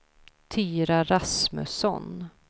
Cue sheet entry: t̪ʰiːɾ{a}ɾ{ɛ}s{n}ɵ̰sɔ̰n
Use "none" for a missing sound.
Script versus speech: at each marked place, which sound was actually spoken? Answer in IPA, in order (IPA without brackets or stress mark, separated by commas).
a, a, m